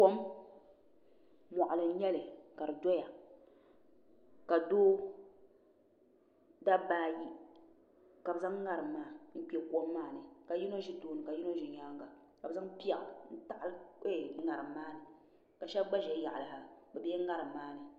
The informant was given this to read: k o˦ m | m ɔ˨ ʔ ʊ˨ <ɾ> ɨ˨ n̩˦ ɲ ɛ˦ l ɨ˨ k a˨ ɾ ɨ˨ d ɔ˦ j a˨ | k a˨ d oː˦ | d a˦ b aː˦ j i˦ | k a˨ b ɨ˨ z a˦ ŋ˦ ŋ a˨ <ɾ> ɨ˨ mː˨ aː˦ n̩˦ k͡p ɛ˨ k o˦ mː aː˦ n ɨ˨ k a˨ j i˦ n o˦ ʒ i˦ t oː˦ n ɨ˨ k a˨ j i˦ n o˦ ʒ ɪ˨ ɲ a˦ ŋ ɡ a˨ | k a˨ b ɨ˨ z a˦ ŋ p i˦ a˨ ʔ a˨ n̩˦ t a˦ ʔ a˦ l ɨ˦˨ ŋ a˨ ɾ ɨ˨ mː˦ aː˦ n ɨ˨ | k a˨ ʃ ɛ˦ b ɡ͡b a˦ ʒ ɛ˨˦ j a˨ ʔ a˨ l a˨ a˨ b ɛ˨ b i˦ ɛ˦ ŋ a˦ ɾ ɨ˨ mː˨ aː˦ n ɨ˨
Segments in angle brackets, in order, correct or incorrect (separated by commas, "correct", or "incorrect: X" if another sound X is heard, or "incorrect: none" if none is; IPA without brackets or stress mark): incorrect: l, correct